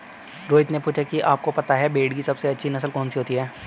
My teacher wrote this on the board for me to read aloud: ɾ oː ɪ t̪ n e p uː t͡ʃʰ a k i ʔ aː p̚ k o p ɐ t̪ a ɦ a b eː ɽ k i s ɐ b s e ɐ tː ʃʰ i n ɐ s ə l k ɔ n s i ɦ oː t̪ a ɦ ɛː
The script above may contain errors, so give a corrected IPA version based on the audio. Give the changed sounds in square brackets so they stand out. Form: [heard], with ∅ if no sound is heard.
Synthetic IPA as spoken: ɾ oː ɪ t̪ n e p uː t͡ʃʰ a k i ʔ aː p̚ k o p ɐ t̪ a ɦ [ɛ] b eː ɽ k i s ɐ b s e ɐ tː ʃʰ i n ɐ s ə l k [ɔː] n s i ɦ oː t̪ [i] ɦ ɛː